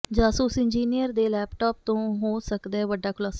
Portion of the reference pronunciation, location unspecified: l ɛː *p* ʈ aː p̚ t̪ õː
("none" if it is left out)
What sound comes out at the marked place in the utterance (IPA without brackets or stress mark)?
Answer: p